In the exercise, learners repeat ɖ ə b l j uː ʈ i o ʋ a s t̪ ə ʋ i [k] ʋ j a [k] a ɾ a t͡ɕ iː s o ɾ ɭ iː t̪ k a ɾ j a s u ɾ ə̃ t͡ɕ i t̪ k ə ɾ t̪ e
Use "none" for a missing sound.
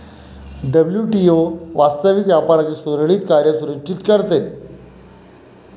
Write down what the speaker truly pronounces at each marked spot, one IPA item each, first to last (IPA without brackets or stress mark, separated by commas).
k, p